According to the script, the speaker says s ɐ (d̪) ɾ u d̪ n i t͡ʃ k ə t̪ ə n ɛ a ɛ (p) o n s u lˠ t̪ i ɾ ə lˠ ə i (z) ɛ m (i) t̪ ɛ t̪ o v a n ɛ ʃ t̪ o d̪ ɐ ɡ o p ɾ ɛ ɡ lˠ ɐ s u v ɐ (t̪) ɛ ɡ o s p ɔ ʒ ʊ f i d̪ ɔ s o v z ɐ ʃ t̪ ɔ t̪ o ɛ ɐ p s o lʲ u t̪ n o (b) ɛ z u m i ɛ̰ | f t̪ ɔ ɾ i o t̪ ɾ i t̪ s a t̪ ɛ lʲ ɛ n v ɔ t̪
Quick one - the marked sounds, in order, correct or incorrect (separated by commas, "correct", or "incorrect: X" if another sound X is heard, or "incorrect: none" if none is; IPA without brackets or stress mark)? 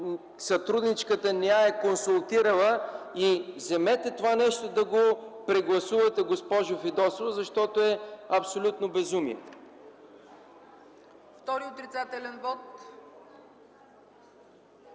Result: incorrect: t̪, incorrect: k, correct, incorrect: ɛ, correct, correct